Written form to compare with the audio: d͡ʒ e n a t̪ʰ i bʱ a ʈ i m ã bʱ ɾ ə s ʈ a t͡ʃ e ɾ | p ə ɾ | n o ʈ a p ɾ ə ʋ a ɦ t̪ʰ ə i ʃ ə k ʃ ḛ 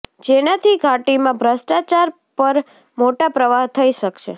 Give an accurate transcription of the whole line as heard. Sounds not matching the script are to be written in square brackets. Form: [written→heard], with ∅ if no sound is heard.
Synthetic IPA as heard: d͡ʒ e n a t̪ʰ i [bʱ→ɡʱ] a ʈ i m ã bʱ ɾ ə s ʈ a t͡ʃ [e→a] ɾ | p ə ɾ | [n→m] o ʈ a p ɾ ə ʋ a ɦ t̪ʰ ə i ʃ ə k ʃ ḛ